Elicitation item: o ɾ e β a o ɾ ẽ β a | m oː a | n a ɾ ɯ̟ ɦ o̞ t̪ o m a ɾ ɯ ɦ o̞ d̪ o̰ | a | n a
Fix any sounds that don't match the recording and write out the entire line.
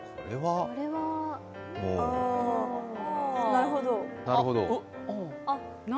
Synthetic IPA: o ɾ e β a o ɾ e β a | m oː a | n a ɾ ɯ̟ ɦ o̞ d̪ o n a ɾ ɯ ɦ o̞ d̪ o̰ | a | n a